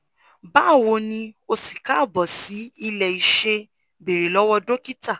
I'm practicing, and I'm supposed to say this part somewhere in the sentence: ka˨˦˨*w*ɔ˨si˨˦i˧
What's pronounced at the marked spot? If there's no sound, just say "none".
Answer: b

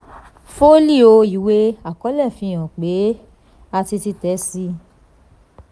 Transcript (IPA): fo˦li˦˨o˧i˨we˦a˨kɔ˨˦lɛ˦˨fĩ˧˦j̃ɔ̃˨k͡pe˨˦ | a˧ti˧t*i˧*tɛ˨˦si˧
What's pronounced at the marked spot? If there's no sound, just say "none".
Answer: i˧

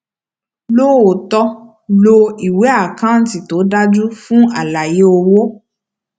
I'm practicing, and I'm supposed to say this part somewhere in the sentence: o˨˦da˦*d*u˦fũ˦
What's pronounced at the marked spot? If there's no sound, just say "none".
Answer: d͡ʒ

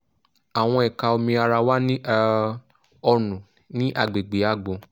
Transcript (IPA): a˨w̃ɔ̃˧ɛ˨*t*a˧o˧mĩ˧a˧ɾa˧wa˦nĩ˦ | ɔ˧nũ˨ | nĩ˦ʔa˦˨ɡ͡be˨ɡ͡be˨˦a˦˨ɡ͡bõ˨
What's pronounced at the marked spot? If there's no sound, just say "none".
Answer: k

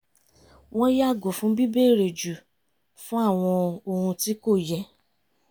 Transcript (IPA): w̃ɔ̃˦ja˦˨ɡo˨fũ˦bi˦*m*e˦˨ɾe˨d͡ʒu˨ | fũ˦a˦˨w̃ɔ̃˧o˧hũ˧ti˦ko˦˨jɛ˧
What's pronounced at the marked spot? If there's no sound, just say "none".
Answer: b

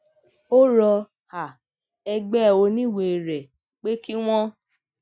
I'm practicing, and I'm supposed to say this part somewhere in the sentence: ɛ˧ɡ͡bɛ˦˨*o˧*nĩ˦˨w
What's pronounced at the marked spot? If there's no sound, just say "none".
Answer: o˧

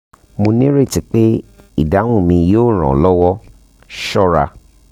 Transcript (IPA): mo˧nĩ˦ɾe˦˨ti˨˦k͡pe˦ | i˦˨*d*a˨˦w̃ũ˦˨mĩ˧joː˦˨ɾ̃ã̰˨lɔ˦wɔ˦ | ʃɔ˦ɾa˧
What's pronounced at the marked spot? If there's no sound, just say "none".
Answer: d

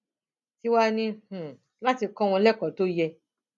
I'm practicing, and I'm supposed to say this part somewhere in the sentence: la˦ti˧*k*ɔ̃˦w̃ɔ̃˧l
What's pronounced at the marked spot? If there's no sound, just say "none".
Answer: k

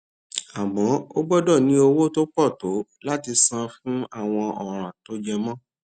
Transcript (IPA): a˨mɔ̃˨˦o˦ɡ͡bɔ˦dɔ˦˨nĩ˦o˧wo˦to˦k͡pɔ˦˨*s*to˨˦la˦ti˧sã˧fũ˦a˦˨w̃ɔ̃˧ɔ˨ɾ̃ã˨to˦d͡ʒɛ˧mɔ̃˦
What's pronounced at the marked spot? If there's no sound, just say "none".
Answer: none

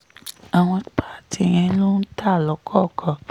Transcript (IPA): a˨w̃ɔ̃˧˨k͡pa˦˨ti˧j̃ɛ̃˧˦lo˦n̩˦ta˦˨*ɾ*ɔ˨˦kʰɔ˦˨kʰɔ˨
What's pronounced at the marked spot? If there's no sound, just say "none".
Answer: l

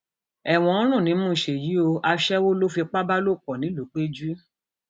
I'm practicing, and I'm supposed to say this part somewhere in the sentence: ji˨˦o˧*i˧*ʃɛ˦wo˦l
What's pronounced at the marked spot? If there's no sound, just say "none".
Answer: a˧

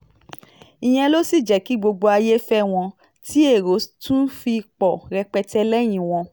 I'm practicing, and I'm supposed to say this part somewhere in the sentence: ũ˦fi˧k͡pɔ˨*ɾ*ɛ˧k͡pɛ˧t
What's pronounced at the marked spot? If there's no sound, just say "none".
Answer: ɾ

